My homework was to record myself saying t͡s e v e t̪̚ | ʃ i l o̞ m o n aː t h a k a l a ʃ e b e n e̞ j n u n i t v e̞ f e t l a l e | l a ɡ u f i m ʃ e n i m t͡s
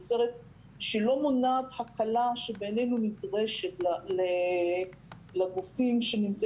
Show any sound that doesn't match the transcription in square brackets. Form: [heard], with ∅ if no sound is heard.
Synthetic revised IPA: t͡s e [ʁ] e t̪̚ | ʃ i l o̞ m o n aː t h a k a l a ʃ e b e n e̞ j n u n i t [ʁ] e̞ [ʃ] e t l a l e | l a ɡ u f i m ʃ e n i m t͡s

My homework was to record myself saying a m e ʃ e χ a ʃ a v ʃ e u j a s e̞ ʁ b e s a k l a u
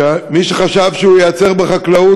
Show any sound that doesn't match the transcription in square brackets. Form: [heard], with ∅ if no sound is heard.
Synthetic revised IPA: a m [i] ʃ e χ a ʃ a v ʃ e u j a [t͡s] e̞ ʁ b e [χ] a k l a u

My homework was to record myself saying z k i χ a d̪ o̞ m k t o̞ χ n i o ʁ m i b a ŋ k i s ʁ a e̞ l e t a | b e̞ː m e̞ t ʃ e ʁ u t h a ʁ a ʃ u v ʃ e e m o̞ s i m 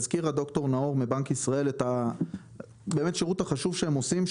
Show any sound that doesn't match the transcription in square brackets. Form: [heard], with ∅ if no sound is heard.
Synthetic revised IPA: z k i [ʁ] a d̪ o̞ [∅] k t o̞ [ʁ] n [a] o ʁ m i b a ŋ k i s ʁ a e̞ l e t a | b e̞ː m e̞ t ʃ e ʁ u t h a [χ] a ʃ u v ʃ e e m o̞ s i m

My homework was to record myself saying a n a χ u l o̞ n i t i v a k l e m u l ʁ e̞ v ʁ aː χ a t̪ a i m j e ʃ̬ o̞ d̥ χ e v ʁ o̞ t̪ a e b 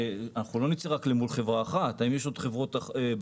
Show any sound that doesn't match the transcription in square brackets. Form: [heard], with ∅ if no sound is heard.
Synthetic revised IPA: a n a χ u l o̞ n i [t͡s] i [ʁ] a k l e m u l [χ] e̞ v ʁ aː χ a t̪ a i m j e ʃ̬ o̞ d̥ χ e v ʁ o̞ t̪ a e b

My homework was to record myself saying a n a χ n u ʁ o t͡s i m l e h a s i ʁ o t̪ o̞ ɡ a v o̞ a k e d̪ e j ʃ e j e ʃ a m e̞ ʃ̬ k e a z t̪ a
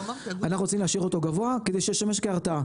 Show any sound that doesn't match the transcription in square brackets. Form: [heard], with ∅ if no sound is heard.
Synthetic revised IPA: a n a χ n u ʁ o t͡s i m l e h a [ʃ] i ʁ o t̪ o̞ ɡ a v o̞ a k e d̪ e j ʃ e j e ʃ a m e̞ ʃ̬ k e a [ʁ] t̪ a

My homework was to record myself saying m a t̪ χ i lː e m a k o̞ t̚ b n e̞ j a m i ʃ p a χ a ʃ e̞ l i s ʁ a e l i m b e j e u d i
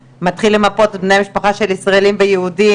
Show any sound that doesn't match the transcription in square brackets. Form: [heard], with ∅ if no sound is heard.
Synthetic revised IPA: m a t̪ χ i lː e m a [p] o̞ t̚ b n e̞ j a m i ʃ p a χ a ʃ e̞ l i s ʁ a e l i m [v] e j e u d i

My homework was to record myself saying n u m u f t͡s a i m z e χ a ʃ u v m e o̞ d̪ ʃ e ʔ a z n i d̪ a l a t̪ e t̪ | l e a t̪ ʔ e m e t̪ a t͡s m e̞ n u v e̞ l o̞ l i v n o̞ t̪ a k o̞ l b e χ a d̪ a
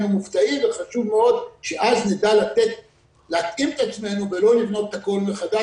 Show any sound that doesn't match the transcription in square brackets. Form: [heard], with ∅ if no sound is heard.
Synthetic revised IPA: n u m u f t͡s a i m [v] e χ a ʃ u v m e o̞ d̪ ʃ e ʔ a z n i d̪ a l a t̪ e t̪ | l e a t̪ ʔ [i] m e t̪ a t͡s m e̞ n u v e̞ l o̞ l i v n o̞ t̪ a k o̞ l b e χ a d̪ a

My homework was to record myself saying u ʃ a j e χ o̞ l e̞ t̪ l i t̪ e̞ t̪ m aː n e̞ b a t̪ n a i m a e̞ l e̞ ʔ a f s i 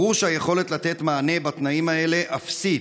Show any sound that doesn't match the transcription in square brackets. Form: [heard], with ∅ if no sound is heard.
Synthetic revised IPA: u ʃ a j e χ o̞ l e̞ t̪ l [a] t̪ e̞ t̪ m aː n e̞ b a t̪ n a i m a e̞ l e̞ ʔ a f s i

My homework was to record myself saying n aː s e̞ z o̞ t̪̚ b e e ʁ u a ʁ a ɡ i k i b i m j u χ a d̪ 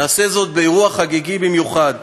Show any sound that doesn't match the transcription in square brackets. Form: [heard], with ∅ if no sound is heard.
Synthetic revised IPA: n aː s e̞ z o̞ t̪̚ b e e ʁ u a [χ] a ɡ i [ɡ] i b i m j u χ a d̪

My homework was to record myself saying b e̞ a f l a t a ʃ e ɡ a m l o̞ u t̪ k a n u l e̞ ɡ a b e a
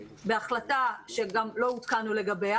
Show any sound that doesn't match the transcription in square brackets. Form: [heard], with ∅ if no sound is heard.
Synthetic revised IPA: b e̞ a [χ] l a t a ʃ e ɡ a m l o̞ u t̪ k a n u l e̞ ɡ a b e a

